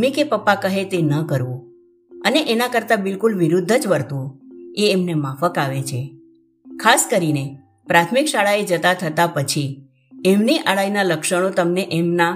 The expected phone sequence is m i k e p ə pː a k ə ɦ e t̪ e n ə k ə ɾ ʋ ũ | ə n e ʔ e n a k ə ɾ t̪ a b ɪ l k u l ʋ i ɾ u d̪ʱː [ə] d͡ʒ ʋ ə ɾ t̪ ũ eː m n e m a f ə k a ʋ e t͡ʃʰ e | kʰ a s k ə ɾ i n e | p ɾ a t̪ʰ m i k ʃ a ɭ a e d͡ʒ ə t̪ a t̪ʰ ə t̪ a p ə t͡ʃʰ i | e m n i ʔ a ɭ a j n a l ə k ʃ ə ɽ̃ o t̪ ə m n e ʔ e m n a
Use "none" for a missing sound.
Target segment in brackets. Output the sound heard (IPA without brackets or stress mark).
ə